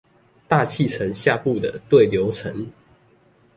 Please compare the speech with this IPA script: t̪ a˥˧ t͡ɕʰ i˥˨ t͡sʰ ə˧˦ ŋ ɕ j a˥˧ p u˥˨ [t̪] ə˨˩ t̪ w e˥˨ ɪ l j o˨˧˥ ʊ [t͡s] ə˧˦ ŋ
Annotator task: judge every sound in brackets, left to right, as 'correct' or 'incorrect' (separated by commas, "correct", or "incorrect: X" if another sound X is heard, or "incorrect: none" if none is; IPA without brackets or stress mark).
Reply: incorrect: d̪, incorrect: t͡sʰ